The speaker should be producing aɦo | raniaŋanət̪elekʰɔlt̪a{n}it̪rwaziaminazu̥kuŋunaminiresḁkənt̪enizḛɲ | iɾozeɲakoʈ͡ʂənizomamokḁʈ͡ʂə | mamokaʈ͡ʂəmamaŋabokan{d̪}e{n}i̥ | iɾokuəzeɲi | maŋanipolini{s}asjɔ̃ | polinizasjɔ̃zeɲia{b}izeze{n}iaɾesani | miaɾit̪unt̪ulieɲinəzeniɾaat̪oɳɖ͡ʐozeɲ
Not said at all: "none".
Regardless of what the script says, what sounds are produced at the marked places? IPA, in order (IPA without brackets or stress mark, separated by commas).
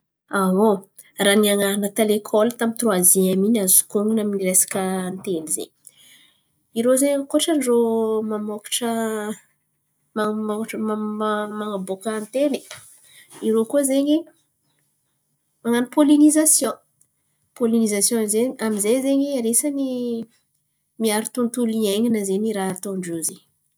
m, t̪, n, z, m, ɲ